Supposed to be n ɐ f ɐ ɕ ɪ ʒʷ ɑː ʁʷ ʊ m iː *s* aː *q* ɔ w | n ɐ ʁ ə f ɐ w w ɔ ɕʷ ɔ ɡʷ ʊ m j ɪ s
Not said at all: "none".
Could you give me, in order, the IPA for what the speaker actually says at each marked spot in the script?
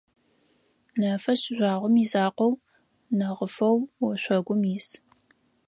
z, q

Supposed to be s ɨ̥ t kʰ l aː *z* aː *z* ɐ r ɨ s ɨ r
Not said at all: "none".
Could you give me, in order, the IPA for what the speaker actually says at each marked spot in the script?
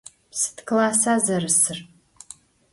s, z

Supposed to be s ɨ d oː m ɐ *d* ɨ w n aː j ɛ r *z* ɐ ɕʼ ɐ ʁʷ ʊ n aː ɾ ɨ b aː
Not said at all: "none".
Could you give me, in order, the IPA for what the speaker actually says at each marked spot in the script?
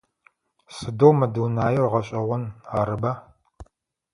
d, ʁ

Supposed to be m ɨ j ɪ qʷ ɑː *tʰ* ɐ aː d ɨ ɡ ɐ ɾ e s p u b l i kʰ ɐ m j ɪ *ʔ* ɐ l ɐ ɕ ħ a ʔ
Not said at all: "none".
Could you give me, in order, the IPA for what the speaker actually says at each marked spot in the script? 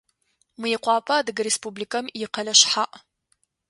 pʰ, q

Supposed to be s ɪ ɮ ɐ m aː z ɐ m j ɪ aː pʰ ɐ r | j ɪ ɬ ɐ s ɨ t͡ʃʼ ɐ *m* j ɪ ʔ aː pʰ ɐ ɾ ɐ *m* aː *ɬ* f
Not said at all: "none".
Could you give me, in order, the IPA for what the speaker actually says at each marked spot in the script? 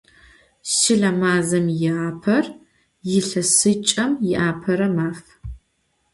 m, m, none

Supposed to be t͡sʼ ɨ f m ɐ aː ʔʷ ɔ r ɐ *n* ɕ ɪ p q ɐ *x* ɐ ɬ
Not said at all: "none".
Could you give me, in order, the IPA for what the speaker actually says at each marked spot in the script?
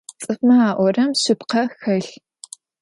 m, x

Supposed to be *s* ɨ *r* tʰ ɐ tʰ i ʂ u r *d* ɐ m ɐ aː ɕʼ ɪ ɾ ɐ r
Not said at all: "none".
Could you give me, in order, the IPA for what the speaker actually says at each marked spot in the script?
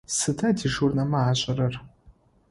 s, none, n

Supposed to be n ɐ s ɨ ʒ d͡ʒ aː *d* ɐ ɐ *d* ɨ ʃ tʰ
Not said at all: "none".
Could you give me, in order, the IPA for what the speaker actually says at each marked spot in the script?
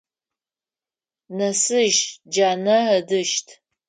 n, d

